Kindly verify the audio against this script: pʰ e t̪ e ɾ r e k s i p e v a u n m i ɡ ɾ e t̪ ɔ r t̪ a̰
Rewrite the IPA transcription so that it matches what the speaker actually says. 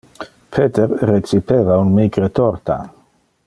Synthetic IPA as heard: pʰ e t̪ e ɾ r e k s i p e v a u n m i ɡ ɾ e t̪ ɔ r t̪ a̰